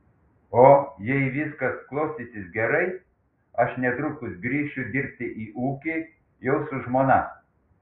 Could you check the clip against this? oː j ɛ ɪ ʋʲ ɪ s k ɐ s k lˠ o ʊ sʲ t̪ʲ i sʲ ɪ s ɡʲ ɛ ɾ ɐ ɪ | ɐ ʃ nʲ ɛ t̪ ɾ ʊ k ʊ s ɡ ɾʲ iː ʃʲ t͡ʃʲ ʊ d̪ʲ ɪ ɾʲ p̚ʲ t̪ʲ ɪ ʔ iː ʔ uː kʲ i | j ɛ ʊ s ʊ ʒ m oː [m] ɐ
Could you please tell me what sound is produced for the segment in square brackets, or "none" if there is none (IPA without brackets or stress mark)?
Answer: n